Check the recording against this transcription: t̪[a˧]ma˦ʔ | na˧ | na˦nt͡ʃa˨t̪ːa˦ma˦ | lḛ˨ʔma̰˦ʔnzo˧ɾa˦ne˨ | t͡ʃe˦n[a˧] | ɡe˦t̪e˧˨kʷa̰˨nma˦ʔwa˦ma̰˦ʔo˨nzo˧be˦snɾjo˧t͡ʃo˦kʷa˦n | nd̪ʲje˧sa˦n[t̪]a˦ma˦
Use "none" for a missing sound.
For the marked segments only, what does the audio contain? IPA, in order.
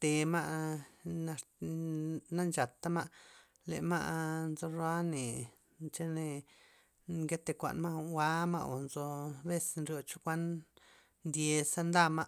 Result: e˧, e˧, d̪

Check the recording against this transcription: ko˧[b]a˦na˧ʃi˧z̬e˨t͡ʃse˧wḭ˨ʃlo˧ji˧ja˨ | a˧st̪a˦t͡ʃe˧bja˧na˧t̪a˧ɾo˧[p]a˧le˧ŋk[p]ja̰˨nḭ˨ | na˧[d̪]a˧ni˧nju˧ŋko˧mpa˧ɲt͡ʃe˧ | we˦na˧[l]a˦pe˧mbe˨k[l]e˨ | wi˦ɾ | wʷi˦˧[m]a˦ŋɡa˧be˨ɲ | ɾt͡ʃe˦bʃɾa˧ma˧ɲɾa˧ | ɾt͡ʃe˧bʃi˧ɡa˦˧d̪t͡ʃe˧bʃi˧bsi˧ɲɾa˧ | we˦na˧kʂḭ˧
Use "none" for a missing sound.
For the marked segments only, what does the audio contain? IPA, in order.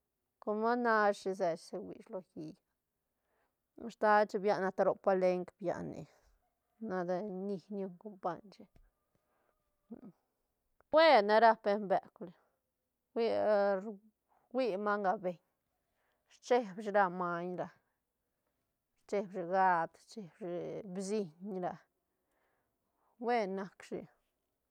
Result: m, p, b, d̪, ɾ, l, m

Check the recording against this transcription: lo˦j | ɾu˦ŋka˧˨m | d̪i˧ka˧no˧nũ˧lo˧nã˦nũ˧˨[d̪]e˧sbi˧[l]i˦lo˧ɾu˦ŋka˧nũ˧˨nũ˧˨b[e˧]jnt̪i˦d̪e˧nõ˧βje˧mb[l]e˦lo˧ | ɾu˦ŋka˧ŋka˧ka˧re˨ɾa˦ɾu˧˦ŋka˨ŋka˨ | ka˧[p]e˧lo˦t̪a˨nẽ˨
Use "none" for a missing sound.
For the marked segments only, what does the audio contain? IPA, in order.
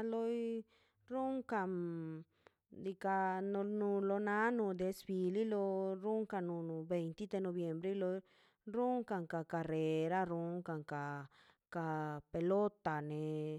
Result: d̪, l, e˧, ɾ, p

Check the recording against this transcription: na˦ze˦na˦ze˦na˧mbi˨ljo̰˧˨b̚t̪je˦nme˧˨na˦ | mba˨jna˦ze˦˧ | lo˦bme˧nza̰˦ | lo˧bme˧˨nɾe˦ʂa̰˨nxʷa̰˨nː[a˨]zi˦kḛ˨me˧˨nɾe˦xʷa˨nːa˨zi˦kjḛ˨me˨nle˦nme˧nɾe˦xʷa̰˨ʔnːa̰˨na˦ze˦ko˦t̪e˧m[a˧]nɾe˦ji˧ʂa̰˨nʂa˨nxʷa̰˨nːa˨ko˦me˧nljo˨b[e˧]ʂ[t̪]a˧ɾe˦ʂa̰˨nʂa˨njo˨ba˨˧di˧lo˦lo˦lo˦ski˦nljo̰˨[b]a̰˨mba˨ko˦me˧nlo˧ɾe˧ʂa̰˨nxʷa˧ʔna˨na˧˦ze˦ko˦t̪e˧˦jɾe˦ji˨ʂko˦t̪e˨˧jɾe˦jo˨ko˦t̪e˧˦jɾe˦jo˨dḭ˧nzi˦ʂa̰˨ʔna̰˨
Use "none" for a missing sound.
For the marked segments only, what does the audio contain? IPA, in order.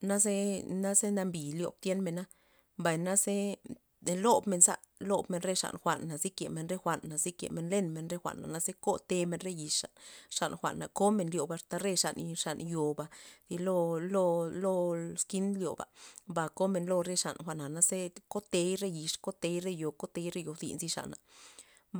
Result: a˨, e˧, a˧, t̪, b

